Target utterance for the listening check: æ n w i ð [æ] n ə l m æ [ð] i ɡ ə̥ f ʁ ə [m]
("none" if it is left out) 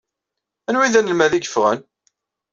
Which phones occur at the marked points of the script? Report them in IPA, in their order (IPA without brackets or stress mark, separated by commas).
æ, ð, n